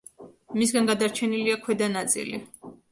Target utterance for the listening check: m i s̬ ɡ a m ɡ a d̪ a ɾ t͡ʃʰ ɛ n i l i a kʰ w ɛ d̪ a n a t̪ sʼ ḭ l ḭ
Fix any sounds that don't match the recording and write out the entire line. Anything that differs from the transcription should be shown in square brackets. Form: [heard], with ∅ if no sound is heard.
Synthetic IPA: m i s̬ ɡ a [n] ɡ a d̪ a ɾ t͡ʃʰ ɛ n i l i a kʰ w ɛ d̪ a n a t̪ sʼ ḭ l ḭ